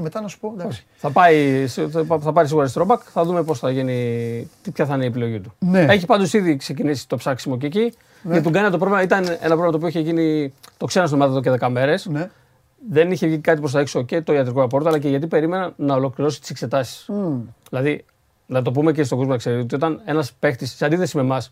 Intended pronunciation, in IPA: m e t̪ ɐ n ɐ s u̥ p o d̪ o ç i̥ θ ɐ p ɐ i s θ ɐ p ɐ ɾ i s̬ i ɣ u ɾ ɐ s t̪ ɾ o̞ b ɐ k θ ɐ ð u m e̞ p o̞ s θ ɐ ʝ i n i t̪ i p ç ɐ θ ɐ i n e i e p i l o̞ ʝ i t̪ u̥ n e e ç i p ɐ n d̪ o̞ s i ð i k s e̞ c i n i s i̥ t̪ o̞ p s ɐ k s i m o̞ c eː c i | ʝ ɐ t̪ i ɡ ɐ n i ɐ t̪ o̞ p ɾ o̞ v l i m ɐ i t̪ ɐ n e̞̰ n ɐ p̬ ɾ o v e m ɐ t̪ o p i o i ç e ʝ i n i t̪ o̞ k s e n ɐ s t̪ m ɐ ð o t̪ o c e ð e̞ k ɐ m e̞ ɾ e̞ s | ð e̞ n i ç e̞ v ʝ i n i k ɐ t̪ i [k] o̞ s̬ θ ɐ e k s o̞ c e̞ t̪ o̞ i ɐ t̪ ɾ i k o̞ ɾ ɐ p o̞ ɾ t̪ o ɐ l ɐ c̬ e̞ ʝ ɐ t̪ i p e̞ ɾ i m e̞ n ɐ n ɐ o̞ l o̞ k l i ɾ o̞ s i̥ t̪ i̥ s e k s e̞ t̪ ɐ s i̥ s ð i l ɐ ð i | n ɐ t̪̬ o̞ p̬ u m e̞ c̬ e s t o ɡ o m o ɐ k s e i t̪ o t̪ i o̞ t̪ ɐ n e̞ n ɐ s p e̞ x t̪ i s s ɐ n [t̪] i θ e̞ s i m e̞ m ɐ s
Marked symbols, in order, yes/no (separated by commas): no, no